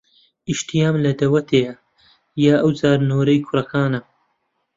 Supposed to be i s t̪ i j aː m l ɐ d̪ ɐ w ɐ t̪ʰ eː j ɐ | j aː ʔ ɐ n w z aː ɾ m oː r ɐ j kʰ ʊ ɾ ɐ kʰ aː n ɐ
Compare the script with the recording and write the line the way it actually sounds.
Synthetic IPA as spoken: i ʃ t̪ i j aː m l ɐ d̪ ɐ w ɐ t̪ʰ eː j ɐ | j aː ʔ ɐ w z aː ɾ n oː ɾ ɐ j kʰ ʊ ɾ ɐ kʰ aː n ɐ